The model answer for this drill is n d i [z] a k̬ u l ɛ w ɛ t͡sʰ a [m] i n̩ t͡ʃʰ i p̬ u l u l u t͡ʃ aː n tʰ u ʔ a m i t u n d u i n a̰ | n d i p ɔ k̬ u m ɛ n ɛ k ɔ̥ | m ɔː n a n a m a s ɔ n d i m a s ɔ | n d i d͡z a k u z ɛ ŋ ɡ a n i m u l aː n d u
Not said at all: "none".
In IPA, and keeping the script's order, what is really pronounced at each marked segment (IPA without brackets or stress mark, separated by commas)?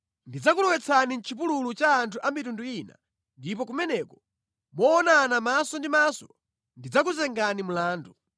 d͡z, n